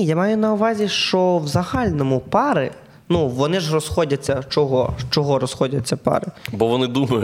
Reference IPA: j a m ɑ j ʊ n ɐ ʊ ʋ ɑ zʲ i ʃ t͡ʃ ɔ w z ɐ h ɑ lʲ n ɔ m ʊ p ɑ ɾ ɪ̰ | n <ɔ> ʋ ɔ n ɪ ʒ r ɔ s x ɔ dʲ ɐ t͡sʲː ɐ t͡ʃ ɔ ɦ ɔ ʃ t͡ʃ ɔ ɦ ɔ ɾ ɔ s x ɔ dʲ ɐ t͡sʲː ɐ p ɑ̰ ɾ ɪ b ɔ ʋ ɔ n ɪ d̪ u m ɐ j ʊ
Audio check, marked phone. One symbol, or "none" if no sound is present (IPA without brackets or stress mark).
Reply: u